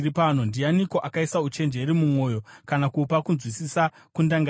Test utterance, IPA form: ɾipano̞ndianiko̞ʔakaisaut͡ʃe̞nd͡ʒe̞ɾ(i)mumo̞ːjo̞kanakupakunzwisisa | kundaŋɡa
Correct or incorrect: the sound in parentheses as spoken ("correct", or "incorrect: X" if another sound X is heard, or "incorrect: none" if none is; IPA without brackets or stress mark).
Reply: correct